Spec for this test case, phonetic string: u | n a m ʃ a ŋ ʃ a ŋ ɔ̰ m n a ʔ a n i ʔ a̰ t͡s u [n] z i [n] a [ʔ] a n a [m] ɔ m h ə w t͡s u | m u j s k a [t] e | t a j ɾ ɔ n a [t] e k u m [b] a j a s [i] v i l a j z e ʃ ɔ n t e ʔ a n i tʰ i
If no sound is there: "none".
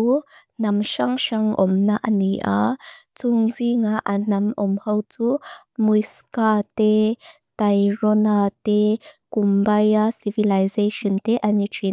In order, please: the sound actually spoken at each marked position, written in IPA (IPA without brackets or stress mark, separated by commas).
ŋ, ŋ, ʔ, m, t, t, b, i